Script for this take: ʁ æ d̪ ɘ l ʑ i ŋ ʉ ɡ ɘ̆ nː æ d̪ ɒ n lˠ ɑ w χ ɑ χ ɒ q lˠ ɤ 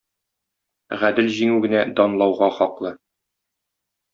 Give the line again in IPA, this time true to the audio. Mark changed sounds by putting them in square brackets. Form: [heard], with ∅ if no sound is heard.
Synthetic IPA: ʁ æ d̪ ɘ l ʑ i ŋ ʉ ɡ ɘ̆ [n] æ d̪ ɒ n lˠ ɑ w [ʁ] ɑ χ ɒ q lˠ ɤ